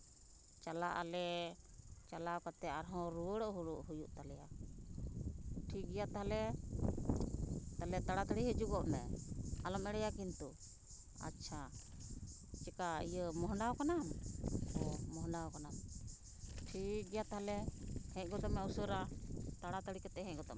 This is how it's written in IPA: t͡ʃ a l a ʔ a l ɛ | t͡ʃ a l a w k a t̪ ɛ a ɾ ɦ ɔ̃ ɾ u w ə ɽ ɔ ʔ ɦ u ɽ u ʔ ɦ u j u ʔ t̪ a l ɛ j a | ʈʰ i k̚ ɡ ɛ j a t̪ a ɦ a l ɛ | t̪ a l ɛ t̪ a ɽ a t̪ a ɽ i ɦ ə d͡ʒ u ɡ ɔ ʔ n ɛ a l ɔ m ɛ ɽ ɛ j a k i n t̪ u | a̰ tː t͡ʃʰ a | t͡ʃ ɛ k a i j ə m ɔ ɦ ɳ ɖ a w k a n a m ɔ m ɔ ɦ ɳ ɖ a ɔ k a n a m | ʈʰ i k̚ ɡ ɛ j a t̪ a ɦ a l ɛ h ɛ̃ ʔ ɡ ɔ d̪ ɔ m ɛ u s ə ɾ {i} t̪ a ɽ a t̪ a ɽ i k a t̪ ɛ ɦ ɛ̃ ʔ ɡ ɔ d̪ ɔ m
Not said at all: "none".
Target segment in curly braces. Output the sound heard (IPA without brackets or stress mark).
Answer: a